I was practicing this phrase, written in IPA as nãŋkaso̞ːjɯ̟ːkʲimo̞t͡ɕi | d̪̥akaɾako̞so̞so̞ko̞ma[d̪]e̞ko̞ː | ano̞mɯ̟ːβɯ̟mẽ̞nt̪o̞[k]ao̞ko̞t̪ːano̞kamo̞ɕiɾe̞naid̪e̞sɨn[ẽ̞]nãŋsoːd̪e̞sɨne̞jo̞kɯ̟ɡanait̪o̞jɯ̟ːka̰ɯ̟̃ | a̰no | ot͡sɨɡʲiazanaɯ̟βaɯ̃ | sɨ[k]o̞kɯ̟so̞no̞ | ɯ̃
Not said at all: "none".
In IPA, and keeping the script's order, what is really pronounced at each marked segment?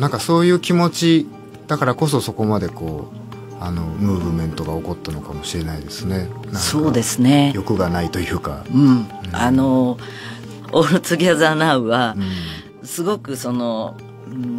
d̪, ɡ, e̞, ɡ

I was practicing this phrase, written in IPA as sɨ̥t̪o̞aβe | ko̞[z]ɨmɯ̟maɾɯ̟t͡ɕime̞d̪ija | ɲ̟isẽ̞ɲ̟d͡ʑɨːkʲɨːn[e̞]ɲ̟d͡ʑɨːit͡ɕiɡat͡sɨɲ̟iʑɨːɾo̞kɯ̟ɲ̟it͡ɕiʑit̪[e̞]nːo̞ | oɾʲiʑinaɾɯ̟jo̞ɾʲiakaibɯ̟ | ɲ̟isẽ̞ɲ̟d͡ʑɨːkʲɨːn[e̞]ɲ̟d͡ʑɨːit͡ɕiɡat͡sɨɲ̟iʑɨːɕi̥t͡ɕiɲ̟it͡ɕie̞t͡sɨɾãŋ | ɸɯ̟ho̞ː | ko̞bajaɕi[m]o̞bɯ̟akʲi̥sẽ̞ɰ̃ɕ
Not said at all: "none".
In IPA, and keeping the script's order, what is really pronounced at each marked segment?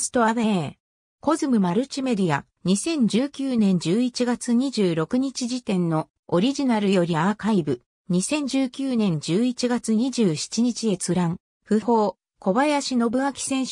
z, ẽ̞, ẽ̞, ẽ̞, n

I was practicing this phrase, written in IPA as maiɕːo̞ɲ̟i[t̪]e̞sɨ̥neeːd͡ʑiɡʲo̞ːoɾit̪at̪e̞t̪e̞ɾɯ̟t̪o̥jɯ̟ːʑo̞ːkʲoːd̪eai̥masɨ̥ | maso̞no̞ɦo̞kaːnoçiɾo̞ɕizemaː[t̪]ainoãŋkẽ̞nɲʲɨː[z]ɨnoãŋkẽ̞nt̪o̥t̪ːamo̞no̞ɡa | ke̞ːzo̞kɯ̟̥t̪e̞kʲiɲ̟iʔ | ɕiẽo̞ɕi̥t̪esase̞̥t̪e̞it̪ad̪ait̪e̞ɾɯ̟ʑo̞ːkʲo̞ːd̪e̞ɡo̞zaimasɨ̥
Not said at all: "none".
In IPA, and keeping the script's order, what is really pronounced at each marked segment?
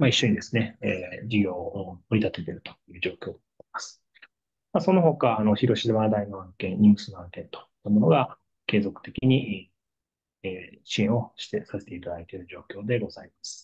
d̪, d̪, s

